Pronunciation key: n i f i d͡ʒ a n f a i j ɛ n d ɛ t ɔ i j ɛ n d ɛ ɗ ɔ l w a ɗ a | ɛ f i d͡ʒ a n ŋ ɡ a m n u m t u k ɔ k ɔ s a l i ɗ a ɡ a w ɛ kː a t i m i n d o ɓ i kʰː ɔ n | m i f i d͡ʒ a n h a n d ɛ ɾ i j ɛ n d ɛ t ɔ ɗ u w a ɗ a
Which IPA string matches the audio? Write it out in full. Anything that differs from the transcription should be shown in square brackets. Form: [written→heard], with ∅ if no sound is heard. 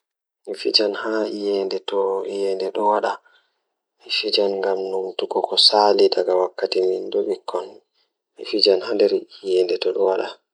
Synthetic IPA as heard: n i f i d͡ʒ a n [f→h] a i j ɛ n d ɛ t ɔ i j ɛ n d ɛ ɗ ɔ [l→∅] w a ɗ a | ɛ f i d͡ʒ a n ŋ ɡ a m n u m t u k ɔ k ɔ s a l i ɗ a ɡ a w [ɛ→a] kː a t i m i n d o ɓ i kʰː ɔ n | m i f i d͡ʒ a n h a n d ɛ ɾ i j ɛ n d ɛ t ɔ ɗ [u→ɔ] w a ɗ a